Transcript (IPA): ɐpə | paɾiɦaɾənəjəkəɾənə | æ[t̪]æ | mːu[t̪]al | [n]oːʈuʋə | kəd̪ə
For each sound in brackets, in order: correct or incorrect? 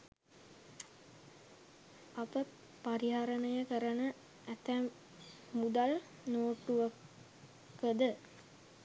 correct, incorrect, correct

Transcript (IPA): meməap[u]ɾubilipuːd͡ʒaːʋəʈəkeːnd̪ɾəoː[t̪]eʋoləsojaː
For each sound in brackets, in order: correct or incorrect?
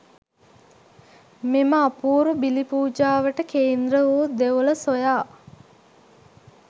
incorrect, incorrect

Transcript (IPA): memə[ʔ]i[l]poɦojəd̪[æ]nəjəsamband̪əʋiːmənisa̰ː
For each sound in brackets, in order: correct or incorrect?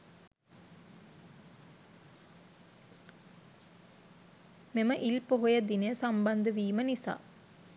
correct, correct, incorrect

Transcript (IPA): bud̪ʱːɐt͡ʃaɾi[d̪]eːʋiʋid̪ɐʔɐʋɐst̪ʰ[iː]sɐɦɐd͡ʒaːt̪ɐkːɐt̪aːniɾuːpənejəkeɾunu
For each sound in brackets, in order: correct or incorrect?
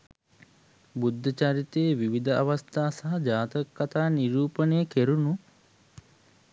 incorrect, incorrect

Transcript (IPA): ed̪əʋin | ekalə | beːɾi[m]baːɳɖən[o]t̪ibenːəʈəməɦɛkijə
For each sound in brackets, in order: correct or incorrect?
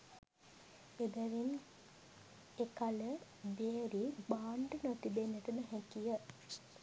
incorrect, correct

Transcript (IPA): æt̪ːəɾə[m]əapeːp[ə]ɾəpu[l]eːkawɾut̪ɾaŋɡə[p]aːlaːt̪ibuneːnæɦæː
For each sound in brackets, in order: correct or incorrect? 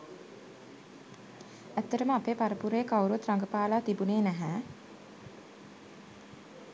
correct, incorrect, incorrect, correct

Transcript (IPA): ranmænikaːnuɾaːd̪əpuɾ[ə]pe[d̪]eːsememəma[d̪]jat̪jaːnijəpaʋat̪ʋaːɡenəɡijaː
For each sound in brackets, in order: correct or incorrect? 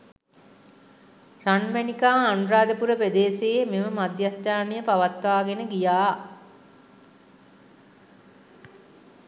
correct, correct, correct

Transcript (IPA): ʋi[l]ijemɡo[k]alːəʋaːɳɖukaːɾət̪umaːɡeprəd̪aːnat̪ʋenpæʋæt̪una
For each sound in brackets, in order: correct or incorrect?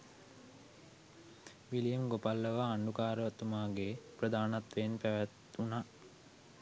correct, incorrect

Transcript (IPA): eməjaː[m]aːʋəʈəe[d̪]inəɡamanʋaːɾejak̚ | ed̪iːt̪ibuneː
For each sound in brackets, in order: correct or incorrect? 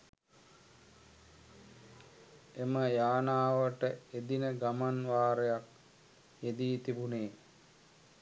incorrect, correct

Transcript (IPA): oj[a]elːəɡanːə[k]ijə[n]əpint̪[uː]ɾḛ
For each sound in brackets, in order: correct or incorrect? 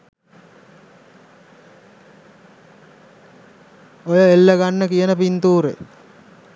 incorrect, correct, correct, correct

